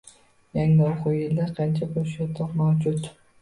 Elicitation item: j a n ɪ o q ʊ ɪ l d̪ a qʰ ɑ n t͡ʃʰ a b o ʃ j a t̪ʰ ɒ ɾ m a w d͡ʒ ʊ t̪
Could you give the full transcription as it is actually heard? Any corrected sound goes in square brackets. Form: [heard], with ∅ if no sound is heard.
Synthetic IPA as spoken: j a [ŋ] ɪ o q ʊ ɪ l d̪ a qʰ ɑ n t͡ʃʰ a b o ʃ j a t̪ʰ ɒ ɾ m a w d͡ʒ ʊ t̪